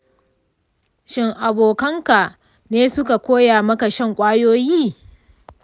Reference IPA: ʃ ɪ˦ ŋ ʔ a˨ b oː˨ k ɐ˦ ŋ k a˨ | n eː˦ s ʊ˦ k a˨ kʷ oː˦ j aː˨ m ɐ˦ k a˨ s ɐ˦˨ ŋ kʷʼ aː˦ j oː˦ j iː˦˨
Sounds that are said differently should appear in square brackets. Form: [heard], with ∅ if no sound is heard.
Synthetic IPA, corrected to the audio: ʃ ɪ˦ ŋ ʔ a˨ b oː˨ k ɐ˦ ŋ k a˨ | n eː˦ s ʊ˦ k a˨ kʷ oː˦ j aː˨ m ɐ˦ k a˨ [ʃ] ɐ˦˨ ŋ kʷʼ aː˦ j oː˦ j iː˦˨